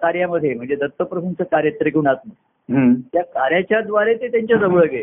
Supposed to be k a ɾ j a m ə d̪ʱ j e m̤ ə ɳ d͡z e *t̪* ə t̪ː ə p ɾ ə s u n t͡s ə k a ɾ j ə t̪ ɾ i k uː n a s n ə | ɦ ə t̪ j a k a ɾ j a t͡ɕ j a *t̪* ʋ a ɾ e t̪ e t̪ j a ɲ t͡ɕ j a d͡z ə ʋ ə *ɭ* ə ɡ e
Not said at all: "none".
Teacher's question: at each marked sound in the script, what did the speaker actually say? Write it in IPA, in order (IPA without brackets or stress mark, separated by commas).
d̪, d̪, ɭ